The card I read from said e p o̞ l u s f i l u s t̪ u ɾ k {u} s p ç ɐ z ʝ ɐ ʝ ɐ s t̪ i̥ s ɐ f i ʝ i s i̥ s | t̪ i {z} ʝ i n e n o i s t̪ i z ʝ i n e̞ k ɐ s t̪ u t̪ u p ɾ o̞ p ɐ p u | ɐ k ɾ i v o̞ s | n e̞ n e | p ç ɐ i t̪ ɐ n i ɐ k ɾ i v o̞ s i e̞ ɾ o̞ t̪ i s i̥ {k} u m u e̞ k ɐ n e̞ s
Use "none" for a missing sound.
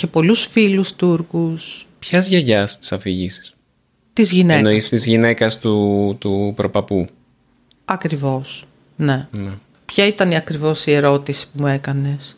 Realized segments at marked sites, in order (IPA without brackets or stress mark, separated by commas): u, z, p